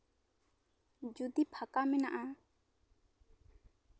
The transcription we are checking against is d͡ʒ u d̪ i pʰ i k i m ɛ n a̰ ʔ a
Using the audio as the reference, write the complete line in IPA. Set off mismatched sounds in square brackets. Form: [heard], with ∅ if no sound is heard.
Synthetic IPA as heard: d͡ʒ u d̪ i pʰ [a] k [a] m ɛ n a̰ ʔ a